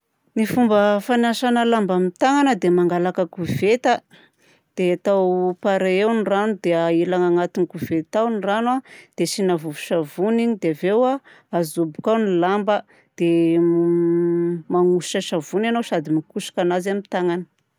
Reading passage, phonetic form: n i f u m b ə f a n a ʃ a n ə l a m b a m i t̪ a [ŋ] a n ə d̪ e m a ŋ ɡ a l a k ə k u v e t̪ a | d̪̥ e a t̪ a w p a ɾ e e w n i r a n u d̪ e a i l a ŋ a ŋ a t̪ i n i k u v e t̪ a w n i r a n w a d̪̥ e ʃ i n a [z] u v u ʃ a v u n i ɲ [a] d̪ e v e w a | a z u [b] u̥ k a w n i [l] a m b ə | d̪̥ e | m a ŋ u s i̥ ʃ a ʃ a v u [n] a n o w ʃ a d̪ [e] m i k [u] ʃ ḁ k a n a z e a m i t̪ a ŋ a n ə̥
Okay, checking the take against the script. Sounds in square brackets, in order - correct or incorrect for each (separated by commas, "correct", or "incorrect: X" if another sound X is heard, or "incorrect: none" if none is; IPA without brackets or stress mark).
correct, incorrect: v, incorrect: i, correct, correct, correct, incorrect: i, correct